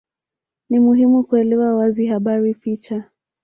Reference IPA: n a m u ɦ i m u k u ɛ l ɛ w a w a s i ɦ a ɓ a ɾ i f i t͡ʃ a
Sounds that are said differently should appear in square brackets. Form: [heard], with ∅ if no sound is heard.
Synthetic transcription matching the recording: n [i] m u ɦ i m u k u ɛ l ɛ w a w a [z] i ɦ a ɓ a ɾ i f i t͡ʃ a